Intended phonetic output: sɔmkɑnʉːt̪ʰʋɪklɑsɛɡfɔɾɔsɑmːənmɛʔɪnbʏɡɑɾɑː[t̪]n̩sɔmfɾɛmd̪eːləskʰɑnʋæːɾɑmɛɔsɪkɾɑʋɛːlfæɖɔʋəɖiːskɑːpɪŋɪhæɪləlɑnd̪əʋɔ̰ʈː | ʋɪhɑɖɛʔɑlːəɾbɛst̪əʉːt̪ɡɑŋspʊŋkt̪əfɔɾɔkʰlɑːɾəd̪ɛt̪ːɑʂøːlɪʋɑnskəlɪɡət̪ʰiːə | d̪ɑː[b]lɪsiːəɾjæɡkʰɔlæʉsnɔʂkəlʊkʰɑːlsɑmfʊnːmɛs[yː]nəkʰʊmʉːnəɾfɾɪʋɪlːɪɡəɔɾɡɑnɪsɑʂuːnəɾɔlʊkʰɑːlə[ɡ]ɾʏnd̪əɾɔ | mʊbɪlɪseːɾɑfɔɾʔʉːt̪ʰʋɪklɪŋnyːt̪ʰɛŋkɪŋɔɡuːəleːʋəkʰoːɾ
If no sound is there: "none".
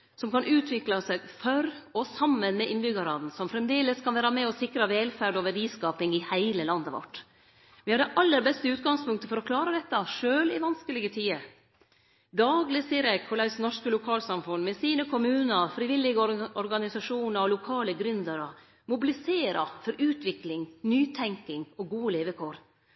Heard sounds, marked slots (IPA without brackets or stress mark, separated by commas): d̪, ɡ, iː, ɡ